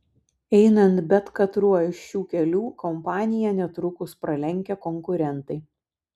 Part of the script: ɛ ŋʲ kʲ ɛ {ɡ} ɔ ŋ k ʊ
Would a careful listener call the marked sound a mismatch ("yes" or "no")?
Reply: yes